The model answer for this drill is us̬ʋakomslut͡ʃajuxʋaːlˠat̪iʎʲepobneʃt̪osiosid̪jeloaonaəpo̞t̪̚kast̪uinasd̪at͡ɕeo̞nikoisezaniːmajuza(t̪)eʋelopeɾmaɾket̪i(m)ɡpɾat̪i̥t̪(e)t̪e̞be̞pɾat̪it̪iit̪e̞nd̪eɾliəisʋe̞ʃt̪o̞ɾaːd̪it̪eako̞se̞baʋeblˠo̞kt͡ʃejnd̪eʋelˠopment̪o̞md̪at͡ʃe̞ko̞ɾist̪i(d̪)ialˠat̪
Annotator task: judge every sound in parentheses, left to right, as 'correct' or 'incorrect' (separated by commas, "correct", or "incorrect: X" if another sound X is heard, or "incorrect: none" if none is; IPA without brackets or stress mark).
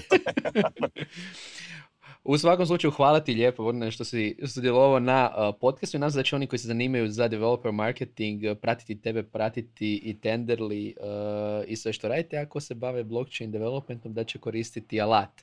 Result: incorrect: d̪, incorrect: ŋ, incorrect: i, incorrect: t̪